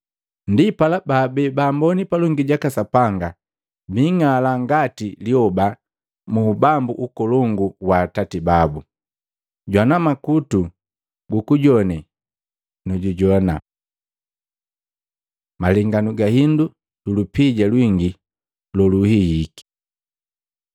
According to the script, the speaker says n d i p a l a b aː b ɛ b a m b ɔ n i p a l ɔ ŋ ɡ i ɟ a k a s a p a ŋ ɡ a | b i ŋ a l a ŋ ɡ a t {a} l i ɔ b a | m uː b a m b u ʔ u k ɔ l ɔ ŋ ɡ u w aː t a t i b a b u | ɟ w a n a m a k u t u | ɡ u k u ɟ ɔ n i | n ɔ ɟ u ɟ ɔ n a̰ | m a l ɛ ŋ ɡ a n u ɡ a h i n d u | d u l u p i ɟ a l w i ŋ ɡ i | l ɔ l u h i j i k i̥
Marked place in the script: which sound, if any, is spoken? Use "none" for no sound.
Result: i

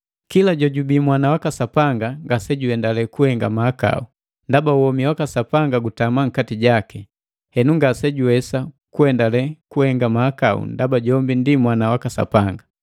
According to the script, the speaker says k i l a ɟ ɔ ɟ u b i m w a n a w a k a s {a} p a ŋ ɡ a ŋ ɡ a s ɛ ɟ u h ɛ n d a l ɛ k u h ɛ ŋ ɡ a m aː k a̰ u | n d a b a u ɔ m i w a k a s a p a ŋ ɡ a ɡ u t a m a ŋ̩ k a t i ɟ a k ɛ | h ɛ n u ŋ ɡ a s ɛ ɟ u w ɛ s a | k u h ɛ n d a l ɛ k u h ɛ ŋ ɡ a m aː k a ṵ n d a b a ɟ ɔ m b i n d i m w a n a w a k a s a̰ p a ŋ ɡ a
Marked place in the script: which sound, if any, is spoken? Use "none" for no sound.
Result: a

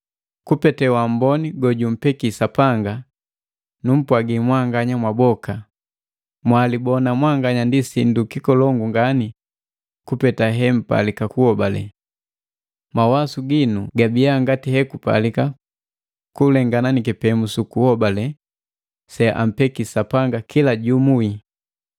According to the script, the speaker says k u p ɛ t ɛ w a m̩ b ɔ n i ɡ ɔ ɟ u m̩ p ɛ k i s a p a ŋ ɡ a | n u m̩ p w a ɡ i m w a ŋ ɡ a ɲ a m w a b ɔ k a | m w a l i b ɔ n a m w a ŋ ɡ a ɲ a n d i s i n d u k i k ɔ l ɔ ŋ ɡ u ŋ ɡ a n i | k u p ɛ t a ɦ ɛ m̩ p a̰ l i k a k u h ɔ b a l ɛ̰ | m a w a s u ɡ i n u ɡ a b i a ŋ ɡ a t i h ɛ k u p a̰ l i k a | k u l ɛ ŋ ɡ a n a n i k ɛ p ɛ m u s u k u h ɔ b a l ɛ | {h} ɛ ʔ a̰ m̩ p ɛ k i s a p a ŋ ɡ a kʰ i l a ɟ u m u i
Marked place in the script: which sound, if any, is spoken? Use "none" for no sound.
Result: s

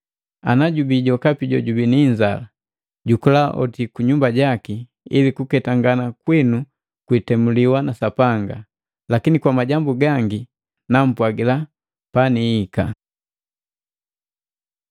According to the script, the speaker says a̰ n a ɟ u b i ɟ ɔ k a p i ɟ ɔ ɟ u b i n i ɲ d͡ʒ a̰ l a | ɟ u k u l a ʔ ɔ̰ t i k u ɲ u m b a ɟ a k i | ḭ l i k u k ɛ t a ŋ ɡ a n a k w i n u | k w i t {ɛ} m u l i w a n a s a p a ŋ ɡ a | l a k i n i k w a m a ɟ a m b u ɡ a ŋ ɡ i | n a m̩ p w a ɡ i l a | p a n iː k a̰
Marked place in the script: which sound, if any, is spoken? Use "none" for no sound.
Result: ɛ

